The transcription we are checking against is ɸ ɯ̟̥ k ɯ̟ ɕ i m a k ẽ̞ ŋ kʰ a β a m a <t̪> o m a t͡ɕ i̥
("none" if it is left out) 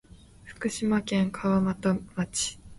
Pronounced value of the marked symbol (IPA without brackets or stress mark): t̪